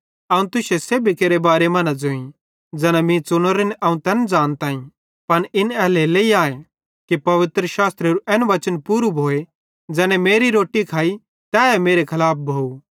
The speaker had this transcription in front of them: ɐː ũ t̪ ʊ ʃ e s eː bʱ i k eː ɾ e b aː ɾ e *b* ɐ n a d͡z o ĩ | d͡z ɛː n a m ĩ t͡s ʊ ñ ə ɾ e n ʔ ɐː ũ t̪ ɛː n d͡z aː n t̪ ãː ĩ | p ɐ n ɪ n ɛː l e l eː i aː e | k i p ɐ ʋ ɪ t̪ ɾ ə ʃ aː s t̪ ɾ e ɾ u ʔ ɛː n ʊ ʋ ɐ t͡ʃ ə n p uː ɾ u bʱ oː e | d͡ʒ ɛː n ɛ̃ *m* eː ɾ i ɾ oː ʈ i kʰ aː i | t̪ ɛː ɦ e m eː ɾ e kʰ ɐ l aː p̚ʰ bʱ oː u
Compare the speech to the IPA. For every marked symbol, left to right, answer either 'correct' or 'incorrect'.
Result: incorrect, correct

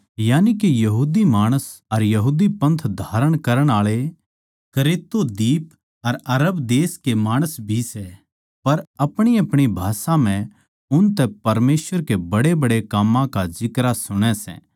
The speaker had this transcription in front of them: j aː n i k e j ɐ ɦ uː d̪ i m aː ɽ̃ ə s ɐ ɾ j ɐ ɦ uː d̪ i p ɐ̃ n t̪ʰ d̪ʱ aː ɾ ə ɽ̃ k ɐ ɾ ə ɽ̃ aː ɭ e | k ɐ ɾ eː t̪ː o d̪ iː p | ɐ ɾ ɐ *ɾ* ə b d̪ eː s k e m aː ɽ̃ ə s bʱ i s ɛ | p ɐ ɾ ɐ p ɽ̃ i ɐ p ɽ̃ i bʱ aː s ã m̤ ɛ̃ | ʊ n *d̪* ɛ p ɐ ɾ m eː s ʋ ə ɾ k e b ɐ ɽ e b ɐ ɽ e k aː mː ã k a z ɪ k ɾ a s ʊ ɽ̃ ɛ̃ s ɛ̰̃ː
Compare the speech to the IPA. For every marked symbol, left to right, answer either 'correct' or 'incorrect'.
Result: correct, incorrect

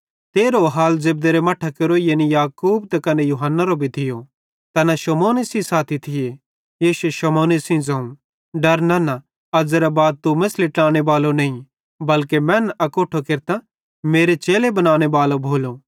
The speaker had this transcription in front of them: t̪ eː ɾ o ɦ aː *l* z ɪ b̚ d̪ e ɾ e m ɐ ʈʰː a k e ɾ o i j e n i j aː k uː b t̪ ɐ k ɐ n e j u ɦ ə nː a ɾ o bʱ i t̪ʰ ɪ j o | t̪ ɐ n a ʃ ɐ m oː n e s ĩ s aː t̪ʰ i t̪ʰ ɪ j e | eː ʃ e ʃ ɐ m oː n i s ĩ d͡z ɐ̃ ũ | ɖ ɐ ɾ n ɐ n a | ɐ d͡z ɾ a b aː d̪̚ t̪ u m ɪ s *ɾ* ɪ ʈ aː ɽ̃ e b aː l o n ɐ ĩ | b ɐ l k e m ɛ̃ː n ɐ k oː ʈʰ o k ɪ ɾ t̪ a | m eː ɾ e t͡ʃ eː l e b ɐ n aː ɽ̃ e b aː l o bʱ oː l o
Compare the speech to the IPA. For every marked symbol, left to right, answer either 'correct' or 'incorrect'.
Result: correct, incorrect

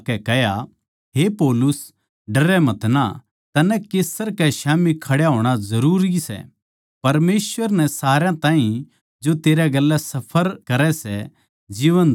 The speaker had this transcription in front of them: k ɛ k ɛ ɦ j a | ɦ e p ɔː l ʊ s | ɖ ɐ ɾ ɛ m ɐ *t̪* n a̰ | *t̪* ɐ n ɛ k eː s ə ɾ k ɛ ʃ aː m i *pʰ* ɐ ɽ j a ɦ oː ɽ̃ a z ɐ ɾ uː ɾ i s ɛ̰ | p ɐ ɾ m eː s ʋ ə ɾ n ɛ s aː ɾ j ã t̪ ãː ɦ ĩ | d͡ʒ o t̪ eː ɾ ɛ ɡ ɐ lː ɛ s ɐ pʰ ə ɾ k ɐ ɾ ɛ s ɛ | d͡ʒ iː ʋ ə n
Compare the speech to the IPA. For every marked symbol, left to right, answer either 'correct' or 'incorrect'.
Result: correct, correct, incorrect

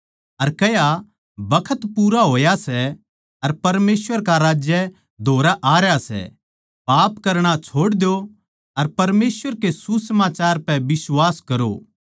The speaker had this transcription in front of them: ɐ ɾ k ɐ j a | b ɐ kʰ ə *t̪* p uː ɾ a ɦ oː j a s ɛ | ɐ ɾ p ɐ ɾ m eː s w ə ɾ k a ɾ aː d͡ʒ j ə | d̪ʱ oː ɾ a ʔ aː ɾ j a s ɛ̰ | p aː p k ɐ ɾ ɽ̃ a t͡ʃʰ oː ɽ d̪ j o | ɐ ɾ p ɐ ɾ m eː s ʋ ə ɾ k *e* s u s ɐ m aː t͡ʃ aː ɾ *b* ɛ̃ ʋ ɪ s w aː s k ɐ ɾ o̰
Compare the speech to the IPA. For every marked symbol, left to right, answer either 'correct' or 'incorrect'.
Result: correct, correct, incorrect

